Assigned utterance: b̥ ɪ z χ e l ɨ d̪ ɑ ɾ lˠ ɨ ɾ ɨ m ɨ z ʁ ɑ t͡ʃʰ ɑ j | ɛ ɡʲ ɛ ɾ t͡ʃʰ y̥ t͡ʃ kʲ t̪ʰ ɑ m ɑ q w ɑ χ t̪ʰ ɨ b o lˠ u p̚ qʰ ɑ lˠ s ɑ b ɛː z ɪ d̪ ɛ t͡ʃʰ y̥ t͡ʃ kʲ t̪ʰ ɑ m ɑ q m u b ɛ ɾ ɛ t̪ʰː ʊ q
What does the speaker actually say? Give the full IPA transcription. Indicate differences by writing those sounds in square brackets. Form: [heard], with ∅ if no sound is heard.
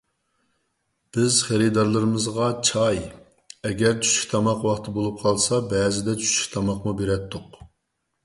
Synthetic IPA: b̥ ɪ z χ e [ɾ] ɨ d̪ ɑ ɾ lˠ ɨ ɾ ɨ m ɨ z ʁ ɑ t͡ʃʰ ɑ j | ɛ ɡʲ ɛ ɾ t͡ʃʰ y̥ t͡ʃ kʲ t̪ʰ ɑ m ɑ q w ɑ χ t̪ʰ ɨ b o lˠ u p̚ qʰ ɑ lˠ s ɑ b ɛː z ɪ d̪ ɛ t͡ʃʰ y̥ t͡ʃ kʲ t̪ʰ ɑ m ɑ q m u b [e] ɾ ɛ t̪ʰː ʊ q